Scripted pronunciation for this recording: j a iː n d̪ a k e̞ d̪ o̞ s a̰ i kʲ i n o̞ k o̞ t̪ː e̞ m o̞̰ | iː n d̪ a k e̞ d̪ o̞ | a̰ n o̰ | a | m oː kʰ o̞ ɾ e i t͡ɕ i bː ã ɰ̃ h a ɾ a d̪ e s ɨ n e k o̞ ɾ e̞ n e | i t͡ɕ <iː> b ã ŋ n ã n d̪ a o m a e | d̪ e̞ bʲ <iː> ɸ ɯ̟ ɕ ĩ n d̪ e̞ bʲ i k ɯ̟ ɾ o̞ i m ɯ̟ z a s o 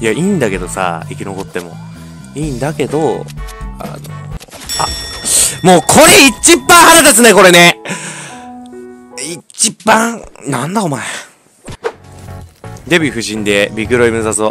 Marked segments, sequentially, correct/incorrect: incorrect: i, incorrect: i

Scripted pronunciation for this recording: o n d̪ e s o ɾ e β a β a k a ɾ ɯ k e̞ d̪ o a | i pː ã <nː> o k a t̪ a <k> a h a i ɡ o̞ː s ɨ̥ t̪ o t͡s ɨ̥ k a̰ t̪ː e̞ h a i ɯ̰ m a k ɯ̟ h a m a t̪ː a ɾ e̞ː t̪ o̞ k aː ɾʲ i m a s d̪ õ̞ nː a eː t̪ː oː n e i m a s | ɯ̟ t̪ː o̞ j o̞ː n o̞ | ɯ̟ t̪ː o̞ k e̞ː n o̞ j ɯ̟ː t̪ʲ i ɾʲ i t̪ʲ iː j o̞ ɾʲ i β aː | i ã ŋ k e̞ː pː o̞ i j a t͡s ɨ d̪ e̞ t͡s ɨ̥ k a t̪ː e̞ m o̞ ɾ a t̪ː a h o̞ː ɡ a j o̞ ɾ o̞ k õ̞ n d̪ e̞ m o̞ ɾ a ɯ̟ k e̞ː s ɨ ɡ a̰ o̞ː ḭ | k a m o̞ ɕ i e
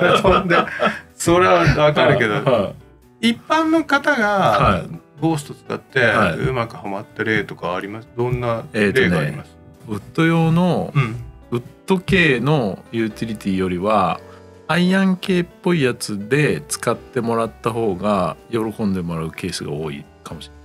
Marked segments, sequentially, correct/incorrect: correct, incorrect: ɡ

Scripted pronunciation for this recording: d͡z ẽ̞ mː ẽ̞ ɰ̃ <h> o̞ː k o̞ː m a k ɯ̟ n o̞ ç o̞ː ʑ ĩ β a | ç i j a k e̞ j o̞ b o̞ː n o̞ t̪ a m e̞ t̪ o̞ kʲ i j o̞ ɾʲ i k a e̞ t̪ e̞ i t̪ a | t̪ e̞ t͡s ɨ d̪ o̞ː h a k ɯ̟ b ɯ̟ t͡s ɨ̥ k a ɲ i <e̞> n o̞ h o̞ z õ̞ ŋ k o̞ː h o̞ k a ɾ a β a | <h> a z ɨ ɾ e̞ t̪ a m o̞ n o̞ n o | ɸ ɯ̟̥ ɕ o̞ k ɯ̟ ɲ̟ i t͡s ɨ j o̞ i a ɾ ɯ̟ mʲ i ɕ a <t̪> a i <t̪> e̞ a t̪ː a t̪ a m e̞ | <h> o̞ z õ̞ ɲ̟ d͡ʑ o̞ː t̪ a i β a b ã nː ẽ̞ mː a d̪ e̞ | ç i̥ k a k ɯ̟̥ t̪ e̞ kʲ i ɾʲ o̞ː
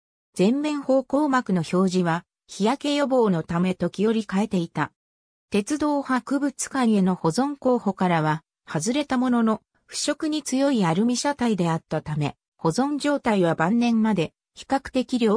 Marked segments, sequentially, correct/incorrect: correct, correct, correct, correct, incorrect: d̪, correct

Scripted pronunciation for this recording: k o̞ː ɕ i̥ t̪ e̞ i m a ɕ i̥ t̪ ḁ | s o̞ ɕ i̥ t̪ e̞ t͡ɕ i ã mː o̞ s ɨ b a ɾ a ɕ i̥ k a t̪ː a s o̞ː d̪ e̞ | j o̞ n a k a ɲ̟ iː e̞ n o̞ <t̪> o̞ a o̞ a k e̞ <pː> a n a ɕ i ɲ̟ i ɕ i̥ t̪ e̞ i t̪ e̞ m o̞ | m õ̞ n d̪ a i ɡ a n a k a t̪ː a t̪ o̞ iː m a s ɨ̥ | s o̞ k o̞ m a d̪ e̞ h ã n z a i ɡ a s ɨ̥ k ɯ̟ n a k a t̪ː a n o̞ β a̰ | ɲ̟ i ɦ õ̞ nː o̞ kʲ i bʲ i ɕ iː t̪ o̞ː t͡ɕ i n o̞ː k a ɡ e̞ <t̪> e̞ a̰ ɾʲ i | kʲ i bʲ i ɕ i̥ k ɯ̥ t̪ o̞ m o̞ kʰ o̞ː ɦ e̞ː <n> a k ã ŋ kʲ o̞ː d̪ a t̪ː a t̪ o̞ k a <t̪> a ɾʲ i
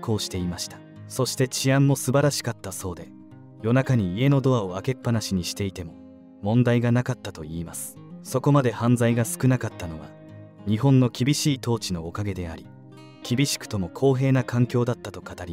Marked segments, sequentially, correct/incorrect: incorrect: d̪, correct, incorrect: d̪, correct, correct

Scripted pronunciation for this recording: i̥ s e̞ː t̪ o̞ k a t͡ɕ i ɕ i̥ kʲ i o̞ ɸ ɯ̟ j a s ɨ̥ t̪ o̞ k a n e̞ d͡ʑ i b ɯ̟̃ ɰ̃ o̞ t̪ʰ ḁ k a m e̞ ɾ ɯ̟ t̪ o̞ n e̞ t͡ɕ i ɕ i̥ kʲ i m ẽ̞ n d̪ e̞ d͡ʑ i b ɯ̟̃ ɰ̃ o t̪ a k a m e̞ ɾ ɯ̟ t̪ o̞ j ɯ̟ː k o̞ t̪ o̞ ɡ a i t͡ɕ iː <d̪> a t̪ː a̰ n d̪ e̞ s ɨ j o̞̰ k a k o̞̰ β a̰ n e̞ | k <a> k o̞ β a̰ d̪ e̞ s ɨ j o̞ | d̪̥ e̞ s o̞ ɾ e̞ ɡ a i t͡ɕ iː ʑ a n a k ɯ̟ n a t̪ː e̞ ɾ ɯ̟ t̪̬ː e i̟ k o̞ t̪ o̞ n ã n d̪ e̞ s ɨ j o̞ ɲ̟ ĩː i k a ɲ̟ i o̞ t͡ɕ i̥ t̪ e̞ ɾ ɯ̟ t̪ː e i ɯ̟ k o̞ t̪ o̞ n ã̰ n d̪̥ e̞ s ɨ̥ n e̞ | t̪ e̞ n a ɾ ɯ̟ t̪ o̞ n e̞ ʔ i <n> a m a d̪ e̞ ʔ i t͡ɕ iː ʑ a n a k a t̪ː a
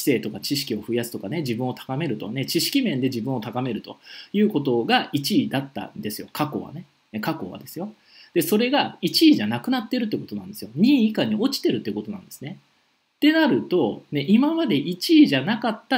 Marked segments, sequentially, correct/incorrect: correct, correct, incorrect: m

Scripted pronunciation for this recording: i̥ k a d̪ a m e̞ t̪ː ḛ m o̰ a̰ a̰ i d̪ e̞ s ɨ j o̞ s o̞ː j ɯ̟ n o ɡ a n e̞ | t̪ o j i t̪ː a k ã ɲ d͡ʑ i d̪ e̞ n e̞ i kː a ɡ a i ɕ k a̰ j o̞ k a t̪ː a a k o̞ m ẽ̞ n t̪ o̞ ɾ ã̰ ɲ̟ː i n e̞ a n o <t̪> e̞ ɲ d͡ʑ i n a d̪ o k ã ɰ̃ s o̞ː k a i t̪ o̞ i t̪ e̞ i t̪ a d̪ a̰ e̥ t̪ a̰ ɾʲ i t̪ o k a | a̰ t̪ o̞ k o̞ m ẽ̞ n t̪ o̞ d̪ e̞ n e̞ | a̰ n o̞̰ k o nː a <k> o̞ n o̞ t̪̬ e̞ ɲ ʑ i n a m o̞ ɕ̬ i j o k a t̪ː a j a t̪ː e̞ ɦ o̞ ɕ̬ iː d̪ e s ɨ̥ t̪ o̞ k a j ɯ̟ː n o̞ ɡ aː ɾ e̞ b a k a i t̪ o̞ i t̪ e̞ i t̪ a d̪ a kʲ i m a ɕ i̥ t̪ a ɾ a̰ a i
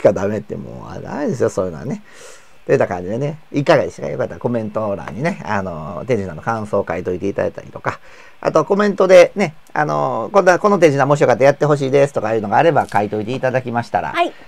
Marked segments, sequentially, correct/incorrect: correct, correct

